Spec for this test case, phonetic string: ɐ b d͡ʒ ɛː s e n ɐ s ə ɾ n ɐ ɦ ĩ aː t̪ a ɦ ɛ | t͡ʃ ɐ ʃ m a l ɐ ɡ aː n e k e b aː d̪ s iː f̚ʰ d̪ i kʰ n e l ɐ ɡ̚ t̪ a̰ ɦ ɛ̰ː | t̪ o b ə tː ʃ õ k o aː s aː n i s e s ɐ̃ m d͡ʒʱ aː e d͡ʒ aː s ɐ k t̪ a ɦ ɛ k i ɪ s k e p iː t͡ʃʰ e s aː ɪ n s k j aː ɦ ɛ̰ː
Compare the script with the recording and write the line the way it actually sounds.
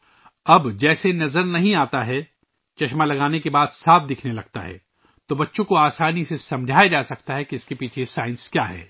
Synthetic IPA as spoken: ɐ b d͡ʒ ɛː s e n ɐ z ə ɾ n ɐ ɦ ĩ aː t̪ a ɦ ɛ | t͡ʃ ɐ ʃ m a l ɐ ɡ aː n e k e b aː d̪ s aː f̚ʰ d̪ ɪ kʰ n e l ɐ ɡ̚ t̪ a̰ ɦ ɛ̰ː | t̪ o b ɐ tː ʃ õ k o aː s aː n i s e s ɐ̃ m d͡ʒʱ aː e d͡ʒ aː s ɐ k t̪ a ɦ ɛ k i ɪ s k e p iː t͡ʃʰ e s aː ɪ n s k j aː ɦ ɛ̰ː